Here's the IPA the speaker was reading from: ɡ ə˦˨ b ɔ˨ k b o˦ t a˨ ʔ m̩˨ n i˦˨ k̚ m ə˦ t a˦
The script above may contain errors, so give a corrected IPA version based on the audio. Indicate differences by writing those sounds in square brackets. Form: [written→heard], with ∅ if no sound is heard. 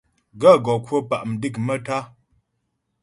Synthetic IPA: ɡ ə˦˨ [b→ɡ] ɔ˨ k [b→w] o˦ [t→p] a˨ ʔ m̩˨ [n→d] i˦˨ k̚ m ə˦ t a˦